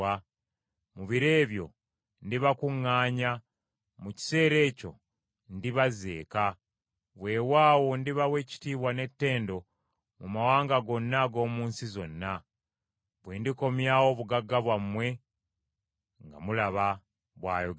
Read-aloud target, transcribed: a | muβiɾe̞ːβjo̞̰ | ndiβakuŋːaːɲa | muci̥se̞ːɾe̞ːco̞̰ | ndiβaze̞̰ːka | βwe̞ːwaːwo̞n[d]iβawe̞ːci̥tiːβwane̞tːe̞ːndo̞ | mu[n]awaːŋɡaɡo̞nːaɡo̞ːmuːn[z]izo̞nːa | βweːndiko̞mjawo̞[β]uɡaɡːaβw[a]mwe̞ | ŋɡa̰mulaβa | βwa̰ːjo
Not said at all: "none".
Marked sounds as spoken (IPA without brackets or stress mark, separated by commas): d, m, s, β, a